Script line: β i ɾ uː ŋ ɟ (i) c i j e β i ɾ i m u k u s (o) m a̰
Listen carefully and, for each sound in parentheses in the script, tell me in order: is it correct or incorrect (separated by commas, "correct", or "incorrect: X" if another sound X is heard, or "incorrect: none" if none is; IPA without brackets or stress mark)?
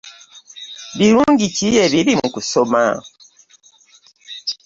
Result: correct, correct